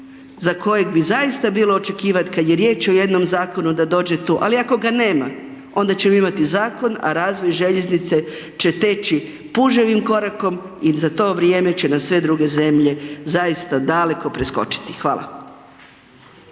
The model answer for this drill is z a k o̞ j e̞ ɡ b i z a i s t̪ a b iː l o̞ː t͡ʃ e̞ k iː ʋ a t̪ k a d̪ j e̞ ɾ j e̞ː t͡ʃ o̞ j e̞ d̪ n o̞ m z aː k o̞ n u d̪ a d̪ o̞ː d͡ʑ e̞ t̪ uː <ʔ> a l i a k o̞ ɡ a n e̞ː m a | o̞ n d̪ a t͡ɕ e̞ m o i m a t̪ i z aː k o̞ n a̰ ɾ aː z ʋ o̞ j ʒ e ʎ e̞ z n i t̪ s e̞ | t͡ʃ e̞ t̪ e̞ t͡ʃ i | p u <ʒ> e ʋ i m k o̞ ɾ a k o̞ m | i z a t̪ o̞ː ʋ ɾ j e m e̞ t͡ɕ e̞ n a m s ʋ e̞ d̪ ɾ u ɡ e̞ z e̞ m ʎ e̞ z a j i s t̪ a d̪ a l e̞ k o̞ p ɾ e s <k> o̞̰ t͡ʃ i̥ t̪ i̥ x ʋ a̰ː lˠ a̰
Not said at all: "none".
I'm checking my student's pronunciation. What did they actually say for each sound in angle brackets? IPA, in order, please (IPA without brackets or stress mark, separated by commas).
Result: ʔ, ʒ, k